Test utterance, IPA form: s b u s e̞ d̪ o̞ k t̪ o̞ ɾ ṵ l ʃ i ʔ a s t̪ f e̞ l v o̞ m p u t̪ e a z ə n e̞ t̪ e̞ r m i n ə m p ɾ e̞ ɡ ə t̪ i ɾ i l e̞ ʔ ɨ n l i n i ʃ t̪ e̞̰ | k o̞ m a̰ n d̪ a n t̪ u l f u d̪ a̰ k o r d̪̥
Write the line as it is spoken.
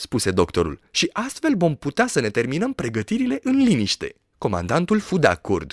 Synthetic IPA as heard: s p u s e̞ d̪ o̞ k t̪ o̞ ɾ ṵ l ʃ i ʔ a s t̪ f e̞ l v o̞ m p u t̪ e a s ə n e̞ t̪ e̞ r m i n ə m p ɾ e̞ ɡ ə t̪ i ɾ i l e̞ ʔ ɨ n l i n i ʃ t̪ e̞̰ | k o̞ m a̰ n d̪ a n t̪ u l f u d̪ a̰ k o r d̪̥